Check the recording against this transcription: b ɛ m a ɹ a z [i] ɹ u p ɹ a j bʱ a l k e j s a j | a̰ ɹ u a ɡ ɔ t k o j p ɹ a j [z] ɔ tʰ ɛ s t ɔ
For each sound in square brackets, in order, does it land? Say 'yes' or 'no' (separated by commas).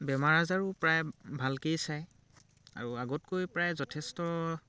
no, yes